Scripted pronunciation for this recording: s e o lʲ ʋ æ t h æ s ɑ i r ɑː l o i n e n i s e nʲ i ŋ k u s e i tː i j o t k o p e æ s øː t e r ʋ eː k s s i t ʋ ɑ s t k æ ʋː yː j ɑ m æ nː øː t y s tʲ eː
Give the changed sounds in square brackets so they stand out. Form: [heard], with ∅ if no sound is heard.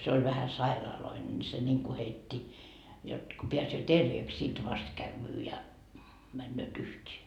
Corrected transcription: s e o lʲ ʋ æ [∅] h æ s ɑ i r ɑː l o i n e n i s e nʲ i ŋ k u [h] e i tː i j o t k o p e æ s øː t e r ʋ eː k s s i t ʋ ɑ s t k æ ʋː yː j ɑ m æ nː øː t y [h] tʲ eː